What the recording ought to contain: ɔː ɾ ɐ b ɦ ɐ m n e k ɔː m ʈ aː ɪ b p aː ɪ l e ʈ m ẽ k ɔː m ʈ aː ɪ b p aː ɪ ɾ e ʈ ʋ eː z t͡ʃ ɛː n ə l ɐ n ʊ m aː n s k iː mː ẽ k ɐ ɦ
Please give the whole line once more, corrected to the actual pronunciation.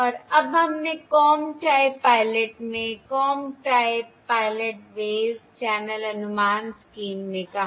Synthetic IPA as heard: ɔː ɾ ɐ b ɦ ɐ m n e k ɔː m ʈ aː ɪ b p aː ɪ l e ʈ m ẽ k ɔː m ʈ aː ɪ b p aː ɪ l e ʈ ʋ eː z t͡ʃ ɛː n ə l ɐ n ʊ m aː n s k iː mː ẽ k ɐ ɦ